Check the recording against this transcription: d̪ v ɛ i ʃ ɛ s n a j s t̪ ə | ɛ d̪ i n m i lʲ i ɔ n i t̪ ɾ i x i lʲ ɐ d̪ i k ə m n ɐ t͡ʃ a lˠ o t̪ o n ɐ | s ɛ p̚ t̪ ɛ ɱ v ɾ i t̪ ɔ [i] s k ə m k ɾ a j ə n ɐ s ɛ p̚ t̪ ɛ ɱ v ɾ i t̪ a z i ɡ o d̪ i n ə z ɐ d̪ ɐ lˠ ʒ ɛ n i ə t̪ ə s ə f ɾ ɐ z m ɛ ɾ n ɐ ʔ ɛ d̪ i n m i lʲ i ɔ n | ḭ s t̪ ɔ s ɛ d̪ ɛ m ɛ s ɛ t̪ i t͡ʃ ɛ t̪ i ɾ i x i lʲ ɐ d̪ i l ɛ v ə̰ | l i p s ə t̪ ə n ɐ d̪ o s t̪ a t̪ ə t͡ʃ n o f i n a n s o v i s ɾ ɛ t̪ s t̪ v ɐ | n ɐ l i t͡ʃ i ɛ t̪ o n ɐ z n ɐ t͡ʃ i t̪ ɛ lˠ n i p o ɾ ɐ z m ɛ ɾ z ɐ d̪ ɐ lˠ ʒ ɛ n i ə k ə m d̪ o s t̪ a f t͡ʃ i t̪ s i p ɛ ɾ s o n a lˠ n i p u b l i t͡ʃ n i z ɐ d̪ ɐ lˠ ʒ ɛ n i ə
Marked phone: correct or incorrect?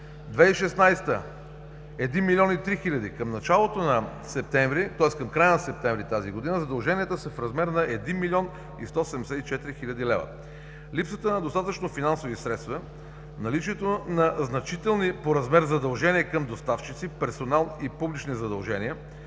incorrect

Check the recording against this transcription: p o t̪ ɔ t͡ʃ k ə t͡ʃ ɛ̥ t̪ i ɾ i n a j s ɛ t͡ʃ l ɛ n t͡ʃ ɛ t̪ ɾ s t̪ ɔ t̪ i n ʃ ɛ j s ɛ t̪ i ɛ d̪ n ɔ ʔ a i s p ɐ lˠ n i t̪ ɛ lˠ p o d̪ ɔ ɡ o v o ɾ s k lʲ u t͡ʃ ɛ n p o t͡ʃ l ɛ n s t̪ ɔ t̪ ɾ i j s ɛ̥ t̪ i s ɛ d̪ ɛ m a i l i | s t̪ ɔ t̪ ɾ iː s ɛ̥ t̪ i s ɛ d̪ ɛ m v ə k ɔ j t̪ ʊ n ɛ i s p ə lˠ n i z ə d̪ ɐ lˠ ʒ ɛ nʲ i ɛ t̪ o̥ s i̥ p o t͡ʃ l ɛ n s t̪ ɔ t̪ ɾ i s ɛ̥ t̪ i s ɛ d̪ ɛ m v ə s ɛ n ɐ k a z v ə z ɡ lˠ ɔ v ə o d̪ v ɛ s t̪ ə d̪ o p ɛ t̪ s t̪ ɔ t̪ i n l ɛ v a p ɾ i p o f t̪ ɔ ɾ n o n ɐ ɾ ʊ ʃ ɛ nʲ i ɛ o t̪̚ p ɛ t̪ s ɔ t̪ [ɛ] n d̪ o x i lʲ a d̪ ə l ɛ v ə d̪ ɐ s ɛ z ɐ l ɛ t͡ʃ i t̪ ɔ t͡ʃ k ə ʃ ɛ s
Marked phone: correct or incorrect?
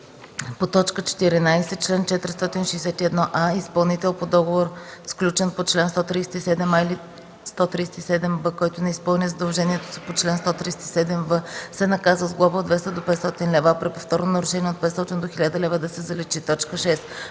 incorrect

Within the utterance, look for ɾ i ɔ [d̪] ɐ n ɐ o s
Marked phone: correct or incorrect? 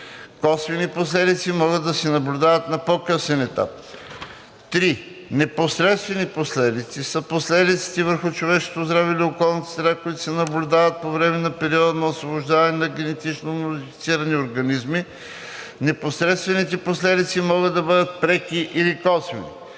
correct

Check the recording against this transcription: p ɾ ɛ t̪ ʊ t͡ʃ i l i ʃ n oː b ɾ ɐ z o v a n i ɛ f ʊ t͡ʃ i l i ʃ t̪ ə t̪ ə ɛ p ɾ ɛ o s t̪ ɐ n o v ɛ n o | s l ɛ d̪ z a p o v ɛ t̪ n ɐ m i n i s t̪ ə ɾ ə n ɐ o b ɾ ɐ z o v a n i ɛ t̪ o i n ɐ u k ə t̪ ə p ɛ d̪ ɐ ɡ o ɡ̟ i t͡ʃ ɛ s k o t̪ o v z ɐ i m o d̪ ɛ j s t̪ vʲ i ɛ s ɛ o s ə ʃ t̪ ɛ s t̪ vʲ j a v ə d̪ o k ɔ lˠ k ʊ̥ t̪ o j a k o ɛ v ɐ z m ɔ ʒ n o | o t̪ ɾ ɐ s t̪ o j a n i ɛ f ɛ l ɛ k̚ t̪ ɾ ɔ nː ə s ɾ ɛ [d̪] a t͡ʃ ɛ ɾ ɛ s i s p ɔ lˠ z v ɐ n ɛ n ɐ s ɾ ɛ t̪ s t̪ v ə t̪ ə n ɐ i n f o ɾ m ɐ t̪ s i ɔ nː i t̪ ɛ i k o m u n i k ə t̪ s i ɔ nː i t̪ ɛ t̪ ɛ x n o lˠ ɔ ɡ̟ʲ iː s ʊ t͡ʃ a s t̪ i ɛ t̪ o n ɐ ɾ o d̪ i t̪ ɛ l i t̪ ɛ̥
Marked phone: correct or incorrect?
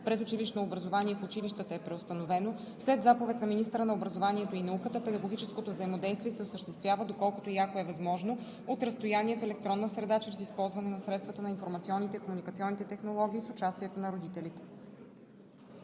correct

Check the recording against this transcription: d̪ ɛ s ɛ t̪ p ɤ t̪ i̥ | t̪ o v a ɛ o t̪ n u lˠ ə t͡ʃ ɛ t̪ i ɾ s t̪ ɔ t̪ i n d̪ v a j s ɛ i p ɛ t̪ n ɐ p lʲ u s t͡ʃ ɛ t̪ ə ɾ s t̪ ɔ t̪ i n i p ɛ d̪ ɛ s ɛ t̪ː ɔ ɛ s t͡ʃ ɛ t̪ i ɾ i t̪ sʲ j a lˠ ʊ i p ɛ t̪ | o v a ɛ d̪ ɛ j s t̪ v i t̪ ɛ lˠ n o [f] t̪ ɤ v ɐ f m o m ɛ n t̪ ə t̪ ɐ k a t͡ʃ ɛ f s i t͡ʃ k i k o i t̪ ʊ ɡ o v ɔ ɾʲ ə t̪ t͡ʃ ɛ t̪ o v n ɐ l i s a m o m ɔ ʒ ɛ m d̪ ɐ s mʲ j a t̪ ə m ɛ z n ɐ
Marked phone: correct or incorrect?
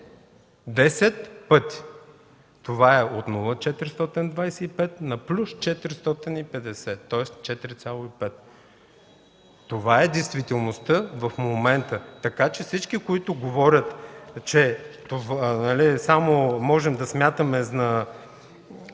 incorrect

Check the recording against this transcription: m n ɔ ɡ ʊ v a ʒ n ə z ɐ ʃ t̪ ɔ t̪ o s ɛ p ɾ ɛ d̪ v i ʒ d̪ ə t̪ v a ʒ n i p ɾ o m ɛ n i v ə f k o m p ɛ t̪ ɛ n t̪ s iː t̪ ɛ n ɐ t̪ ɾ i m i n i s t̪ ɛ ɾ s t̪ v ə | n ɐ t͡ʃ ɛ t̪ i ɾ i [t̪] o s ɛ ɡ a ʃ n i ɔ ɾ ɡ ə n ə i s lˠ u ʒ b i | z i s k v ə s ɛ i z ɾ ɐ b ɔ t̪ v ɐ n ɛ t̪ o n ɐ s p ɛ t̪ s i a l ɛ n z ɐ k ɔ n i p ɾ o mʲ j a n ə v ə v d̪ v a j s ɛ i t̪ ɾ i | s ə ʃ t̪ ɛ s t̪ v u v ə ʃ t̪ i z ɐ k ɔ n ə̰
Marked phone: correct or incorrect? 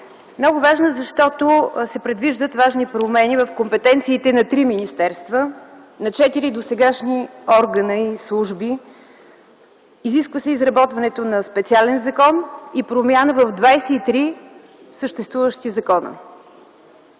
incorrect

